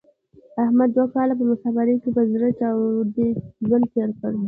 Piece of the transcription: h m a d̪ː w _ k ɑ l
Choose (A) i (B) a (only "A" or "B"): B